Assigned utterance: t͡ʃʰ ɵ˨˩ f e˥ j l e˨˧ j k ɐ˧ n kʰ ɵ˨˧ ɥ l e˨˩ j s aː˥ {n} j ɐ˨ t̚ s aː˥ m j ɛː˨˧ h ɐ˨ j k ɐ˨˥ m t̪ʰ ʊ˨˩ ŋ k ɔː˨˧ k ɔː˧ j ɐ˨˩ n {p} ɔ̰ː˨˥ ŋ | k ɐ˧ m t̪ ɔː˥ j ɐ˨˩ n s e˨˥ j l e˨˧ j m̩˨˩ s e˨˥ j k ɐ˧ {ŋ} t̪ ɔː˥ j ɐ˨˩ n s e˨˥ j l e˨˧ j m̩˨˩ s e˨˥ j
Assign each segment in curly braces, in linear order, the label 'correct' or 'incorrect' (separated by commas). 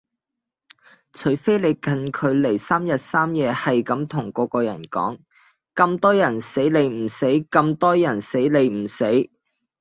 incorrect, incorrect, incorrect